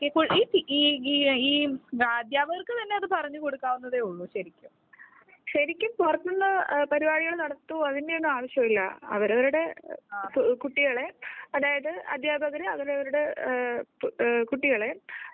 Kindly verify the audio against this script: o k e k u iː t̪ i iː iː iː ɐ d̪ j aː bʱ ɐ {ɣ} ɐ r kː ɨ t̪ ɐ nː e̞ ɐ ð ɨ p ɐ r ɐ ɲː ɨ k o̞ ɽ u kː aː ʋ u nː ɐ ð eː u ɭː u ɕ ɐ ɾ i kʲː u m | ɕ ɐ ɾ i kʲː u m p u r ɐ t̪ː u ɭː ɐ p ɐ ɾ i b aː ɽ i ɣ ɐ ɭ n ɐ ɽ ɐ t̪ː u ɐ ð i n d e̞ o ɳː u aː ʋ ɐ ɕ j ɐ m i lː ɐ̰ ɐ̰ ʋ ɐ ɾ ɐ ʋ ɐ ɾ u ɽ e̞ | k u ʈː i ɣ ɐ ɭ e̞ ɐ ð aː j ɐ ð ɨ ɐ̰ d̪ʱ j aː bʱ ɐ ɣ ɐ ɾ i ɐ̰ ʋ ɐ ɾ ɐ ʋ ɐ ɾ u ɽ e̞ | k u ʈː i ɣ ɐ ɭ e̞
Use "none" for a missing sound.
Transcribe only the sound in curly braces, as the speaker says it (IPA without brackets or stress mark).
ɣ